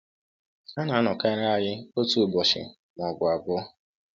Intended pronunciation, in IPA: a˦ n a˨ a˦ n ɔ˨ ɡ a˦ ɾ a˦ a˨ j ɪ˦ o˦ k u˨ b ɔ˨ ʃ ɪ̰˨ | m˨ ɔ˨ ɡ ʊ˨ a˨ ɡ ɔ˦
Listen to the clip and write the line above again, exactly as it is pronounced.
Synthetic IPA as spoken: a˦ n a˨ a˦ n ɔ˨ k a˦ ɾ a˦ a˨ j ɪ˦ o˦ t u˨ b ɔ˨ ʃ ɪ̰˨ | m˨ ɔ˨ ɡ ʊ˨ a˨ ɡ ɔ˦